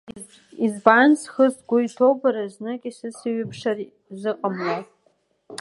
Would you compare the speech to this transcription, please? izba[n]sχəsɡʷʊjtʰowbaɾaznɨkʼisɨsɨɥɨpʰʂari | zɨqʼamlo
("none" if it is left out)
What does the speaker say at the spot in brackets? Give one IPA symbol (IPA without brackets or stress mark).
n